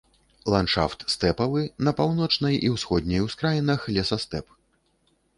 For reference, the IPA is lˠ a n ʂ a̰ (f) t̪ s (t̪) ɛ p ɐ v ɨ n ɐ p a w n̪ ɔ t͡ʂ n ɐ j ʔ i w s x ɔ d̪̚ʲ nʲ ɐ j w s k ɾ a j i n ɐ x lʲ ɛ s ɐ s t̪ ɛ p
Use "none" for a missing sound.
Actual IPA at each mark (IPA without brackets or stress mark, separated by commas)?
f, t̪